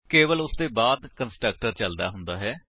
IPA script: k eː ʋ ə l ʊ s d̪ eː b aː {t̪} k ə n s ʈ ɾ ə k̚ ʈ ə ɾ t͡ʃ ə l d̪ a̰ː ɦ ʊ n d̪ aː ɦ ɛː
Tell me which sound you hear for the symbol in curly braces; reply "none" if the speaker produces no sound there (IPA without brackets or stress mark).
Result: d̪